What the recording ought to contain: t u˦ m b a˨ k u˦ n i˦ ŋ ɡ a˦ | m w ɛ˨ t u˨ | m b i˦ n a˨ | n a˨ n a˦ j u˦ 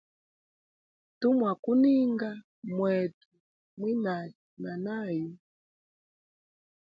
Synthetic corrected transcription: t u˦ m w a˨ k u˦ n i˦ ŋ ɡ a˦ | m w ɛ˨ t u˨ | m w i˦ n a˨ | n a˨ n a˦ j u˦